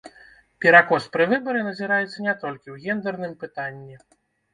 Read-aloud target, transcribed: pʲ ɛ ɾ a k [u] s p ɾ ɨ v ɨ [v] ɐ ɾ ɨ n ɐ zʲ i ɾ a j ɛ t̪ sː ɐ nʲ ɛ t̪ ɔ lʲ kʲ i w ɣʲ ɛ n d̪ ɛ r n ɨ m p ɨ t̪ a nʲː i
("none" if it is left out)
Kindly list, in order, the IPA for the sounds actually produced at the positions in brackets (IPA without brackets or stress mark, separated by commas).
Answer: ɔ, b